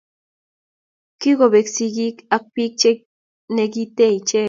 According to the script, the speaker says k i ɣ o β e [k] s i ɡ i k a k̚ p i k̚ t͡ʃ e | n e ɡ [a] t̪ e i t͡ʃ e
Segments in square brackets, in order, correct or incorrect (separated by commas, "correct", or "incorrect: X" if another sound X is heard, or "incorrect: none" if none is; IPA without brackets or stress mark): correct, incorrect: i